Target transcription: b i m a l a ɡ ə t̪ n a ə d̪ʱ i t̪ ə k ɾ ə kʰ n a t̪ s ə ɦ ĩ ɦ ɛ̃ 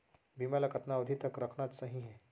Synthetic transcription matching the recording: b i m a l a k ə t̪ n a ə d̪ʱ i t̪ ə k ɾ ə kʰ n a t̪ s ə ɦ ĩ ɦ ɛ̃